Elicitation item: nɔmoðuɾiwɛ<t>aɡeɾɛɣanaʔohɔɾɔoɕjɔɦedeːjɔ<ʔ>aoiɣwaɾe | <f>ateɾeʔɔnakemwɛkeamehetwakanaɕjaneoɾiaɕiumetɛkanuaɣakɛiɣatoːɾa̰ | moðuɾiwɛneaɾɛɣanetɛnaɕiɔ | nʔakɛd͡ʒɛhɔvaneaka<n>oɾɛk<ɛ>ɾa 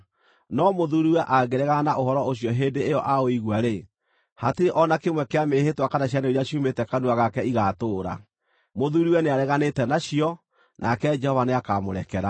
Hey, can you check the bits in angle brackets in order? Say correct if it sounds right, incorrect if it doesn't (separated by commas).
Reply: incorrect, correct, incorrect, incorrect, correct